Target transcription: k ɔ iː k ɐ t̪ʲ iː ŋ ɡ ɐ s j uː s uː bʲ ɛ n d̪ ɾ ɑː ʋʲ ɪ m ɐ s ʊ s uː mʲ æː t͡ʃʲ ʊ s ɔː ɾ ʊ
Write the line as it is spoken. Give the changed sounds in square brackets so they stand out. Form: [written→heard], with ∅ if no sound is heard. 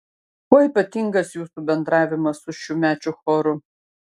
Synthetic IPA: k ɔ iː [k→p] ɐ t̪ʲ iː ŋ ɡ ɐ s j uː s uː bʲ ɛ n d̪ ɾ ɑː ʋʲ ɪ m ɐ s ʊ [s→ʃ] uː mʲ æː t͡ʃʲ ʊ [s→x] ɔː ɾ ʊ